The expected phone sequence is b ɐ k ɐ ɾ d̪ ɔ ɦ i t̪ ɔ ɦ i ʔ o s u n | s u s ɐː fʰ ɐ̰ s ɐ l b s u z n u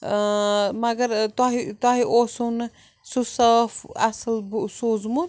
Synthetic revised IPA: m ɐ ɡ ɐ ɾ t̪ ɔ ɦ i t̪ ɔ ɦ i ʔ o s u n | s u s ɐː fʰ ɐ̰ s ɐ l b s u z m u